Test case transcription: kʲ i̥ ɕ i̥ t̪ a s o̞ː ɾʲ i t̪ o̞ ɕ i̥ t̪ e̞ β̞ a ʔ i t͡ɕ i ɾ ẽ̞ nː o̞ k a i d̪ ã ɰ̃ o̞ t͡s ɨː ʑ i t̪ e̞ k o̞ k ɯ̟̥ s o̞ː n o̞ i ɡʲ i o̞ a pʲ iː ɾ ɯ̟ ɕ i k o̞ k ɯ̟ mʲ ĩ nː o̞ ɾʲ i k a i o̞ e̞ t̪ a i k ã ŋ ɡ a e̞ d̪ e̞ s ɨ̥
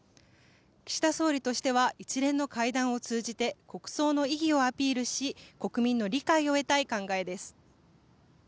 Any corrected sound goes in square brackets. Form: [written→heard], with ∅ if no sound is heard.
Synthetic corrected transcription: kʲ i̥ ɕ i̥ t̪ a s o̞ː ɾʲ i t̪ o̞ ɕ i̥ t̪ e̞ β̞ a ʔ i t͡ɕ i ɾ ẽ̞ nː o̞ k a i d̪ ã ɰ̃ o̞ t͡s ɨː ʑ i t̪ e̞ k o̞ k ɯ̟̥ s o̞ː n o̞ i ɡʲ i o̞ a pʲ iː ɾ ɯ̟ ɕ i k o̞ k ɯ̟ mʲ ĩ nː o̞ ɾʲ i k a i o̞ e̞ t̪ a i k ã ŋ ɡ a e̞ d̪ e̞ s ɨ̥